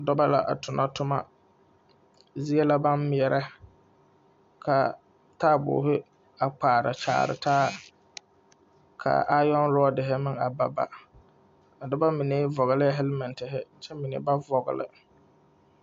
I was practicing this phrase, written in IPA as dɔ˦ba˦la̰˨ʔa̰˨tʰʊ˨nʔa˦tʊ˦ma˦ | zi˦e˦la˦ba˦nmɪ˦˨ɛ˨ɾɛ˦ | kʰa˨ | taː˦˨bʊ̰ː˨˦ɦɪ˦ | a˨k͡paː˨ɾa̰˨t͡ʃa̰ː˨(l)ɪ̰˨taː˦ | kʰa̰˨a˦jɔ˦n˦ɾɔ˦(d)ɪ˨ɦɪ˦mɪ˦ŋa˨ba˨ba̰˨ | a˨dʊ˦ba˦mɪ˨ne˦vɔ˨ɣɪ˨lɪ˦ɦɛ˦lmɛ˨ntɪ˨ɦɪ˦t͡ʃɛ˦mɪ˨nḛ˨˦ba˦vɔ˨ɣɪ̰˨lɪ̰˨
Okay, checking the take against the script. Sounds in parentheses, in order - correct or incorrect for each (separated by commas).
incorrect, correct